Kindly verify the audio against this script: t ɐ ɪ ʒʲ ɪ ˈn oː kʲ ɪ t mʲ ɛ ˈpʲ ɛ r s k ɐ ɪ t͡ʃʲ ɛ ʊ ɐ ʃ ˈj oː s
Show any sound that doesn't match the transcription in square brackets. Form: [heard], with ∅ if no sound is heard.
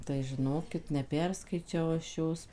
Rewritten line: t ɐ ɪ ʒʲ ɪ ˈn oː kʲ ɪ t [nʲ] ɛ ˈpʲ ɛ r s k ɐ ɪ t͡ʃʲ ɛ ʊ ɐ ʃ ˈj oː s